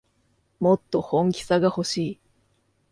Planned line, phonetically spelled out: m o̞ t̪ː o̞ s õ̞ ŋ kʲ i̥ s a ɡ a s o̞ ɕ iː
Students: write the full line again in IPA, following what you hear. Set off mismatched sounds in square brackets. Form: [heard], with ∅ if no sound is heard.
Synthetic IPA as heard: m o̞ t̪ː o̞ [h] õ̞ ŋ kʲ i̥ s a ɡ a [h] o̞ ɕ iː